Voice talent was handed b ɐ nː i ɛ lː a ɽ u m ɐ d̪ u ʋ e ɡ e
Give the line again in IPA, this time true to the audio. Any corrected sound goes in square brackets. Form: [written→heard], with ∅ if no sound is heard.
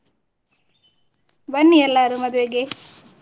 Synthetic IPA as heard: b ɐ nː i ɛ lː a [ɽ→ɾ] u m ɐ d̪ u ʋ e ɡ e